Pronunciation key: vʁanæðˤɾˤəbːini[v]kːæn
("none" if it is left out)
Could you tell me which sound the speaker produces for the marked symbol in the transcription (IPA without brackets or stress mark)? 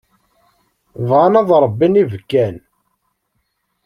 v